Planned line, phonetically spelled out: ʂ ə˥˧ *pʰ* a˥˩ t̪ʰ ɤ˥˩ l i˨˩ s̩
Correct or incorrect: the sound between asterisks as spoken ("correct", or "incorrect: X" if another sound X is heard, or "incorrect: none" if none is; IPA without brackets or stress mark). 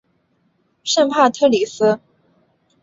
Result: correct